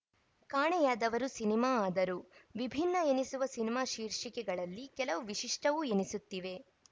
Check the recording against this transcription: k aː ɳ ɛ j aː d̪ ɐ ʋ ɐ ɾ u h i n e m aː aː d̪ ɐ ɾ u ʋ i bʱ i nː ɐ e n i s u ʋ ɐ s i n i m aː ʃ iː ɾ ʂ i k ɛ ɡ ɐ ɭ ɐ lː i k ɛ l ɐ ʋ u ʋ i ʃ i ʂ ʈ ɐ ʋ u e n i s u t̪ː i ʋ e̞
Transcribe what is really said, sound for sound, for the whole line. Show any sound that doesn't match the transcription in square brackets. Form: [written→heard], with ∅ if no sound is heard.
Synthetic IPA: k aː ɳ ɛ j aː d̪ ɐ ʋ ɐ ɾ u [h→s] i n [e→i] m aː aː d̪ ɐ ɾ u ʋ i bʱ i nː ɐ e n i s u ʋ ɐ s i n i m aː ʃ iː ɾ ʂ i k ɛ ɡ ɐ ɭ ɐ lː i k ɛ l ɐ ʋ u ʋ i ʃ i ʂ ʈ ɐ ʋ u e n i s u t̪ː i ʋ e̞